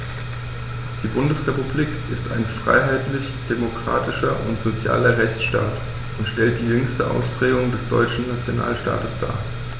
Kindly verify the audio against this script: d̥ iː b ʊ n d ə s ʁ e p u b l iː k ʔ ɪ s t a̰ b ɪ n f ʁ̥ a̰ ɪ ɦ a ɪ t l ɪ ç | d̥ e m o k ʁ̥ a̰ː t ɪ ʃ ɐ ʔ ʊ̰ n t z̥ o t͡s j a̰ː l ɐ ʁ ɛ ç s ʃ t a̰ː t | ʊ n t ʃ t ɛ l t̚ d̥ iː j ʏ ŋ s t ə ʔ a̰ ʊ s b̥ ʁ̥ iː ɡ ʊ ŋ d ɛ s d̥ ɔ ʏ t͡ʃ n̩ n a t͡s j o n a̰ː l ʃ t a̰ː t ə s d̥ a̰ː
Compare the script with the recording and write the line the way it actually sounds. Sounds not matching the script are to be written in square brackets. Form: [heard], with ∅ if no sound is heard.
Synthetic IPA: d̥ iː b ʊ n d ə s ʁ e p u b l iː k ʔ ɪ s t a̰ [∅] ɪ n f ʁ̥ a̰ ɪ ɦ a ɪ t l ɪ ç | d̥ e m o k ʁ̥ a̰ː t ɪ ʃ ɐ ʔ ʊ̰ n t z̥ o t͡s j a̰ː l ɐ ʁ ɛ ç [t͡s] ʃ t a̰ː t | ʊ n t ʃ t ɛ l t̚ d̥ iː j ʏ ŋ s t ə ʔ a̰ ʊ s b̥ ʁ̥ [ɛː] ɡ ʊ ŋ d ɛ s d̥ ɔ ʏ t͡ʃ n̩ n a t͡s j o n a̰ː l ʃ t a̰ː t ə s d̥ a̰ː